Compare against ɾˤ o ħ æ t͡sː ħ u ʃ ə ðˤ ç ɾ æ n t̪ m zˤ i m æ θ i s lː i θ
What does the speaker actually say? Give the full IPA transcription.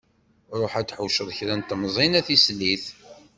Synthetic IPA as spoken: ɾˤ o ħ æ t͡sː ħ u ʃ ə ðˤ ç ɾ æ n t̪ m zˤ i n æ θ i s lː i θ